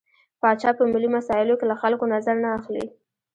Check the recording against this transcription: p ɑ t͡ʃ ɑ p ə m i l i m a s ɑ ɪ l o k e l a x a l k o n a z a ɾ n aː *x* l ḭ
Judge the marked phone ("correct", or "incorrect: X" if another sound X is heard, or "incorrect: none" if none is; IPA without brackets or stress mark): correct